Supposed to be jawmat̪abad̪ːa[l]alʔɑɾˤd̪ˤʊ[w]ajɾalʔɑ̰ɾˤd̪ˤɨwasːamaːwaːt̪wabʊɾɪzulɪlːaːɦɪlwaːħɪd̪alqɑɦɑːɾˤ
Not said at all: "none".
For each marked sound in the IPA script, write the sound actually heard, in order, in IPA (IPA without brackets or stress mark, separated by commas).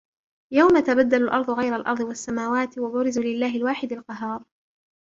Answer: l, ɣ